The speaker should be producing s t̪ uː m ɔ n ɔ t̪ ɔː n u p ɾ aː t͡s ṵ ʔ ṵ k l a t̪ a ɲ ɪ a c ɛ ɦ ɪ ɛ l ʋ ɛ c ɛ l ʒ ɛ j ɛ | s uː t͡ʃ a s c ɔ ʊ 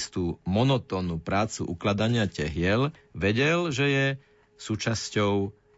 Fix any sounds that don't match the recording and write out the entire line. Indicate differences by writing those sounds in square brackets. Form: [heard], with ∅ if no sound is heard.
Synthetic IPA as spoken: s t̪ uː m ɔ n ɔ t̪ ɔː n u p ɾ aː t͡s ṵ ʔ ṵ k l a [d̪] a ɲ ɪ a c ɛ ɦ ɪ ɛ l ʋ ɛ [ɟ] ɛ l ʒ ɛ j ɛ | s uː t͡ʃ a s c ɔ ʊ